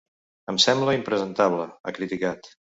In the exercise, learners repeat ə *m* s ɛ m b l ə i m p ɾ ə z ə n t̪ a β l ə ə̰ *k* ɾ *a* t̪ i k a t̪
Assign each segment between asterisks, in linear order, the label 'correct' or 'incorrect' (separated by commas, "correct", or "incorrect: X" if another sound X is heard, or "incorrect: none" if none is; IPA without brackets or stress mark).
correct, correct, incorrect: i